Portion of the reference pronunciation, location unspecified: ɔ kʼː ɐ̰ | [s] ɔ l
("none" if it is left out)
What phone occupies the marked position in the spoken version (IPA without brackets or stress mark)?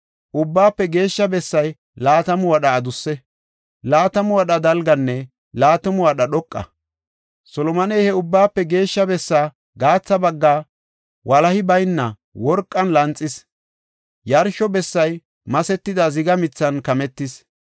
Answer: s